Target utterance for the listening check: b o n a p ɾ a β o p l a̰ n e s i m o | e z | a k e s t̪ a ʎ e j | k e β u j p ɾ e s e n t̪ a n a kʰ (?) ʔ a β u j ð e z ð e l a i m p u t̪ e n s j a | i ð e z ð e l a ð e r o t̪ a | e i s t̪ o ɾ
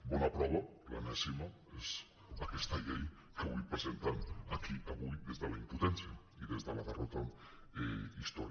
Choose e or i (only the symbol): i